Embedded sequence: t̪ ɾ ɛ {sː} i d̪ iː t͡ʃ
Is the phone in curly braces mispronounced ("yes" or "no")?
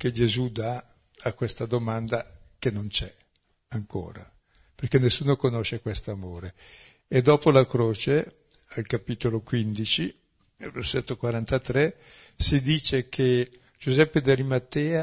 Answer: yes